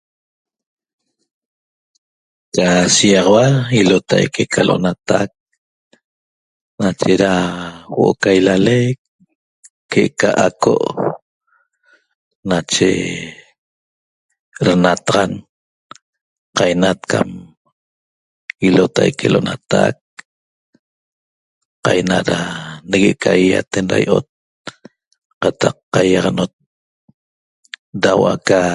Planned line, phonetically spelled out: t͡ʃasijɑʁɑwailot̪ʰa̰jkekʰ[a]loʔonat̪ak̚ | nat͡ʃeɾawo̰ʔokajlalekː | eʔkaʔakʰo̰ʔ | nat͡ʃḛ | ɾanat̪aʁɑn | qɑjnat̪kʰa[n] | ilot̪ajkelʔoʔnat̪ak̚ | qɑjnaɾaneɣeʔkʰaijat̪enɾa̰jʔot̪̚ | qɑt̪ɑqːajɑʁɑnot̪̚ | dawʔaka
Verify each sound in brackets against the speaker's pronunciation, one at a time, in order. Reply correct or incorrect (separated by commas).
correct, incorrect